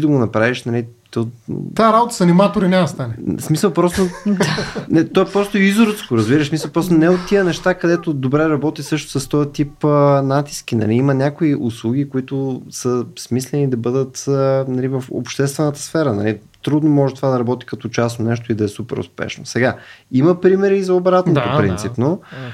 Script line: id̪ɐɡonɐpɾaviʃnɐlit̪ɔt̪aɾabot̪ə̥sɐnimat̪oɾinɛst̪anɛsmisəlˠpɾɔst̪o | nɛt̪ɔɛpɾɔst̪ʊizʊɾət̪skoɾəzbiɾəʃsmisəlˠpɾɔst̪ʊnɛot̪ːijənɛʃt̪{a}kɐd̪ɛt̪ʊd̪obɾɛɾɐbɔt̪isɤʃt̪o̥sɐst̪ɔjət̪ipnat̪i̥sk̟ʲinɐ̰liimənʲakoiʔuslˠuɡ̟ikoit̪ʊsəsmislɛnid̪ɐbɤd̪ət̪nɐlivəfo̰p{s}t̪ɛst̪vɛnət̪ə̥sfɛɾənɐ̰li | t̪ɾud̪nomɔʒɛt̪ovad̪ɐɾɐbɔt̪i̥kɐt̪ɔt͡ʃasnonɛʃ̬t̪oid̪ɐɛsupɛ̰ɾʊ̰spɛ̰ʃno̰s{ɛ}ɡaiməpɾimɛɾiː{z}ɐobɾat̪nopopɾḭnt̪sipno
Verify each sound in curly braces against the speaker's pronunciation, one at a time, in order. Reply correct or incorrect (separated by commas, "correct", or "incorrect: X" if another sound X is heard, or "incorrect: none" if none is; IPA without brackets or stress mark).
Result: correct, incorrect: ʃ, correct, correct